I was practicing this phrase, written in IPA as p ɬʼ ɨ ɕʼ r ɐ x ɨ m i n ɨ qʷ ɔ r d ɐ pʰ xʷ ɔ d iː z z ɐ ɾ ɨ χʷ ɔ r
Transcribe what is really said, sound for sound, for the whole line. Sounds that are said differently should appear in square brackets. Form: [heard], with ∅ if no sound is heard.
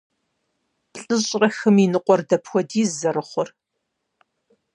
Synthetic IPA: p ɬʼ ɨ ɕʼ r ɐ x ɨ m i n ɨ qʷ ɔ r d ɐ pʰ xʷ ɔ d iː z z ɐ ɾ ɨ χʷ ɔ r